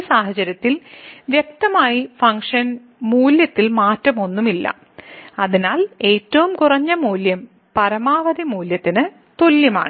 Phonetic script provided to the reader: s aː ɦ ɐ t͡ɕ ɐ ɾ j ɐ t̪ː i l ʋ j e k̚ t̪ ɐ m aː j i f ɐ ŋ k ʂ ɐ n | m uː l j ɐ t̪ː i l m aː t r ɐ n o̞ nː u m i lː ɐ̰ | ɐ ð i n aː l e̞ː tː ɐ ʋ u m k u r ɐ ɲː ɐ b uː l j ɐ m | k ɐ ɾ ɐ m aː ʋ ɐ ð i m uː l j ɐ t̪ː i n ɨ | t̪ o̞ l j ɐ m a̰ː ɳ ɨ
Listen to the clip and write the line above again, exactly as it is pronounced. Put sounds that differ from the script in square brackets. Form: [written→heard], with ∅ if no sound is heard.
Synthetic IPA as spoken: s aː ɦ ɐ t͡ɕ ɐ ɾ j ɐ t̪ː i l ʋ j e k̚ t̪ ɐ m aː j i f ɐ ŋ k ʂ ɐ n | m uː l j ɐ t̪ː i l m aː t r ɐ [n→m] o̞ nː u m i lː ɐ̰ | ɐ ð i n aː l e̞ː tː ɐ ʋ u m k u r ɐ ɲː ɐ [b→m] uː l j ɐ m | [k→p] ɐ ɾ ɐ m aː ʋ ɐ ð i m uː l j ɐ t̪ː i n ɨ | t̪ o̞ l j ɐ m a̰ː ɳ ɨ